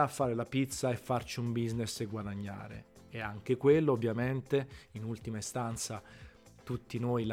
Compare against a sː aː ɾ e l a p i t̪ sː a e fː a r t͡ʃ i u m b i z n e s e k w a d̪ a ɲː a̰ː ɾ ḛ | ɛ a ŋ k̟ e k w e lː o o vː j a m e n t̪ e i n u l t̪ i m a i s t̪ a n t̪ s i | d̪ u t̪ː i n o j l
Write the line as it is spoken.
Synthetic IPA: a fː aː ɾ e l a p i t̪ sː a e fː a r t͡ʃ i u m b i z n e s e ɡ w a d̪ a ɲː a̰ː ɾ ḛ | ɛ a ŋ k̟ e k w e lː o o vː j a m e n t̪ e i n u l t̪ i m a i s t̪ a n t̪ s a | t̪ u t̪ː i n o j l